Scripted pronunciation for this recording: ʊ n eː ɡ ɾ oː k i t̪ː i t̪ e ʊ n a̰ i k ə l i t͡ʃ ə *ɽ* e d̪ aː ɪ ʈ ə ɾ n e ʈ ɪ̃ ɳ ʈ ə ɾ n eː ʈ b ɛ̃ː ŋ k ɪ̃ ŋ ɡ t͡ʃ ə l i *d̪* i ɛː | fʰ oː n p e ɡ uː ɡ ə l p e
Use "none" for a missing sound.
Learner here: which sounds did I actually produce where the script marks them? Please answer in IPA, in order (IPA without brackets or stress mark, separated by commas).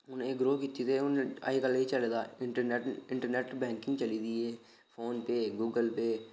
l, d̪